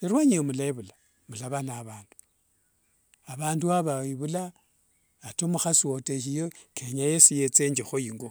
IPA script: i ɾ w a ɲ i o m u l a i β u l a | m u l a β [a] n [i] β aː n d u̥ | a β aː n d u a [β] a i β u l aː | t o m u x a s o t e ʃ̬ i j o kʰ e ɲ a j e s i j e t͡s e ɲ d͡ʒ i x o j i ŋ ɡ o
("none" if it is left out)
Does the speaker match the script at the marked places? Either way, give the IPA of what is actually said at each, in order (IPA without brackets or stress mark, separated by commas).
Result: a, a, β